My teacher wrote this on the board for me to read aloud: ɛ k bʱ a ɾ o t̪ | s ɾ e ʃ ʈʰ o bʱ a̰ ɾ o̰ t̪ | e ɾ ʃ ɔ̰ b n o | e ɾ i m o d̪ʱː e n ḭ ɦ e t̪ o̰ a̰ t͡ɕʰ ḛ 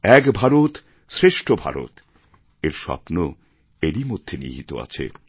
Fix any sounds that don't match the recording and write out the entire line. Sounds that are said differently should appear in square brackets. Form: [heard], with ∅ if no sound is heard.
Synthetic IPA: ɛ k bʱ a ɾ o t̪ | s ɾ e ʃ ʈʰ o bʱ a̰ ɾ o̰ t̪ | e ɾ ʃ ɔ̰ [p] n o | e ɾ i m o d̪ʱː e n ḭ ɦ [i] t̪ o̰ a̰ t͡ɕʰ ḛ